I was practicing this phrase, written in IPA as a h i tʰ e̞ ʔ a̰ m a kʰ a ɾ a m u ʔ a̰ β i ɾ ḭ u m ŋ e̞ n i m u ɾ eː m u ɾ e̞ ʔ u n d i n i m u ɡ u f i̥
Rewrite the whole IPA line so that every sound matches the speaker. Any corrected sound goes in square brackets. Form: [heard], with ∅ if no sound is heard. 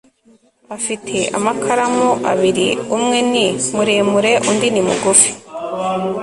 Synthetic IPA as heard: a [f] i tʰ e̞ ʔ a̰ m a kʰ a ɾ a m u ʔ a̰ β i ɾ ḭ u m ŋ e̞ n i m u ɾ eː m u ɾ e̞ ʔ u n d i n i m u ɡ u f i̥

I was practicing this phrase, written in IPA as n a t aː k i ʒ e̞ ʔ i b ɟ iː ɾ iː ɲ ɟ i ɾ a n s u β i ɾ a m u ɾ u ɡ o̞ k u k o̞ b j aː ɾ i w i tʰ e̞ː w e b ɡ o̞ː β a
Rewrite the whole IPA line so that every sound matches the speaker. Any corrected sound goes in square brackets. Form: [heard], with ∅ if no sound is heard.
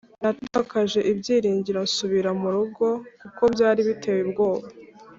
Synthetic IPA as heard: n a t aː k [a] ʒ e̞ ʔ i b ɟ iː ɾ iː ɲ ɟ i ɾ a n s u β i ɾ a m u ɾ u ɡ o̞ k u k o̞ b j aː ɾ i [β] i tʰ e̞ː w e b ɡ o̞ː β a

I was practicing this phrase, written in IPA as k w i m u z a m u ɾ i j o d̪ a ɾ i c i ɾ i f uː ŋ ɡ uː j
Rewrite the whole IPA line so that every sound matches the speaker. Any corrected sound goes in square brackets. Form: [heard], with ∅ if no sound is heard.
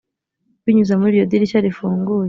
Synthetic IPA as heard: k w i [ɲ] u z a m u ɾ i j o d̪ [i] ɾ i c [a] ɾ i f uː ŋ ɡ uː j

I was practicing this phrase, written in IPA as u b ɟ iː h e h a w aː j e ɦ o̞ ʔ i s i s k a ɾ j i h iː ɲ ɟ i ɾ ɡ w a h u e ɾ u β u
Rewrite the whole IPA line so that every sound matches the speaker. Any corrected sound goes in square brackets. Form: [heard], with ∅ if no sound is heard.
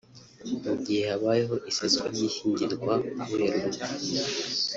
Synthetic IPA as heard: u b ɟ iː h e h a [β] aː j e ɦ o̞ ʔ i s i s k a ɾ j i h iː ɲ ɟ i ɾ ɡ w a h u e ɾ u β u

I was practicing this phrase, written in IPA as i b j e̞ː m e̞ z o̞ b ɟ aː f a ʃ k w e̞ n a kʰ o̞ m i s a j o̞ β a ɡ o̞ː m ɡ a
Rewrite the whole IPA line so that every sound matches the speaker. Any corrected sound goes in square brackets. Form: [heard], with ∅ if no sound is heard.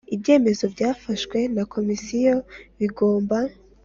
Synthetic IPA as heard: i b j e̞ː m e̞ z o̞ b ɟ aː f a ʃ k w e̞ n a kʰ o̞ m i s [i] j o̞ β [i] ɡ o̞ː m [b] a

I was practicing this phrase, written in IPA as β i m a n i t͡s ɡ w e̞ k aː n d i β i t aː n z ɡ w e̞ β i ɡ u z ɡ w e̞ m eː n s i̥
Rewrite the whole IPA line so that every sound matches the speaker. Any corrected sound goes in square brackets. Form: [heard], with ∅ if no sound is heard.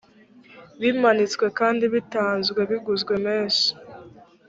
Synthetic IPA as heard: β i m a n i t͡s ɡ w e̞ k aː n d i β i t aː n z ɡ w e̞ β i ɡ u z ɡ w e̞ m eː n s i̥

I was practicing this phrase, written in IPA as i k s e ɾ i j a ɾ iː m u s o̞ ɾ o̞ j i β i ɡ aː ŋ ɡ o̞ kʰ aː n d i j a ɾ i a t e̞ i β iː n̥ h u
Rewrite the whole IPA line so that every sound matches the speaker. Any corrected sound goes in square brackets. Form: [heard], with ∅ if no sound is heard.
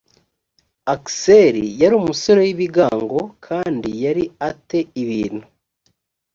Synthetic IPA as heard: [a] k s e ɾ i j a ɾ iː m u s o̞ ɾ o̞ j i β i ɡ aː ŋ ɡ o̞ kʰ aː n d i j a ɾ i a t e̞ i β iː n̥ h u

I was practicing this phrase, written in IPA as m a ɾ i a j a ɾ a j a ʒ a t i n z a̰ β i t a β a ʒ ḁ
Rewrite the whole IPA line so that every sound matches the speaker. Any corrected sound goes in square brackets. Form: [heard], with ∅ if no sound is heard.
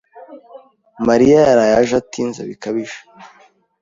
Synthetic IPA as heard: m a ɾ i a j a ɾ a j a ʒ a t i n z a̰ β i [k] a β [i] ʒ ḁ

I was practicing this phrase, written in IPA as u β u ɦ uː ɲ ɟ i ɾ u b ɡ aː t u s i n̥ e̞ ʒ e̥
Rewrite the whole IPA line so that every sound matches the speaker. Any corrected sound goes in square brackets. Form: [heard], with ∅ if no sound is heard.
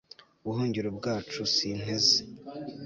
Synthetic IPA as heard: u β u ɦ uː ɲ ɟ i ɾ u b ɡ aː [t͡ʃ] u s i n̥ e̞ [z] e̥

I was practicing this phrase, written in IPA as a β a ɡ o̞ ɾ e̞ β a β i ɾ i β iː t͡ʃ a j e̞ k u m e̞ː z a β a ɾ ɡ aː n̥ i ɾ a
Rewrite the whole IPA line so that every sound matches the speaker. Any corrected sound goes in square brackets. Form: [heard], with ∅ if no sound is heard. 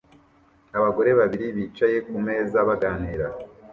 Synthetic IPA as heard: a β a ɡ o̞ ɾ e̞ β a β i ɾ i β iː t͡ʃ a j e̞ k u m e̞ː z a β a [∅] ɡ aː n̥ i ɾ a

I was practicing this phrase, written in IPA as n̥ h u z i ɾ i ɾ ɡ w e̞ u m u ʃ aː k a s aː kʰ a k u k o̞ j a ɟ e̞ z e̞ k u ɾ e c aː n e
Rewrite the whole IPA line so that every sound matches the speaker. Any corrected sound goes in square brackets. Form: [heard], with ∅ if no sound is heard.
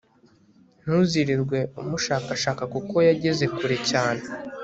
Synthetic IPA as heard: n̥ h u z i ɾ i ɾ ɡ w e̞ u m u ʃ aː k a [ʃ] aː [k] a k u k o̞ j a ɟ e̞ z e̞ k u ɾ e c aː n e

